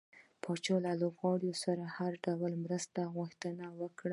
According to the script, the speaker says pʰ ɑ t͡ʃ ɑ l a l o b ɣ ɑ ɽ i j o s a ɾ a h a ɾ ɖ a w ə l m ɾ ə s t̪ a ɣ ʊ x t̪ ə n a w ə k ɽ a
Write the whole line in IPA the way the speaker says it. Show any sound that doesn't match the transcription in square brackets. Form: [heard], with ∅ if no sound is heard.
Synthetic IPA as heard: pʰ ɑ t͡ʃ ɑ l a l o b ɣ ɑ ɽ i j o s a ɾ a h a ɾ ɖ a w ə l m ɾ ə s t̪ a ɣ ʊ x t̪ ə n a w ə k ɽ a